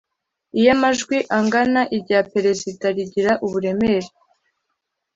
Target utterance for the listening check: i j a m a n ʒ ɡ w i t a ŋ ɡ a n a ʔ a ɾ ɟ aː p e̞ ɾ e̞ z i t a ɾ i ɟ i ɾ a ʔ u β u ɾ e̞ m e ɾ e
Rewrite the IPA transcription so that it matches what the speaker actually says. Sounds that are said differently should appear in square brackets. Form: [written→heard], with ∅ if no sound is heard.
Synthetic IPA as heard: i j a m a [n→∅] ʒ ɡ w i [t→ʔ] a ŋ ɡ a n a ʔ [a→i] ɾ ɟ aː p e̞ ɾ e̞ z i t a ɾ i ɟ i ɾ a ʔ u β u ɾ e̞ m e ɾ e